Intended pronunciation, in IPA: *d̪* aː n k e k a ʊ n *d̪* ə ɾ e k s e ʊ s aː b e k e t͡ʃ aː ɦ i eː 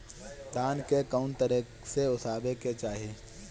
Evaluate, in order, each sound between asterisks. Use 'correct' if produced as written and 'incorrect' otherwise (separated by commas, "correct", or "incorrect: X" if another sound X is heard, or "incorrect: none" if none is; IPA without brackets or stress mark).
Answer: correct, incorrect: t̪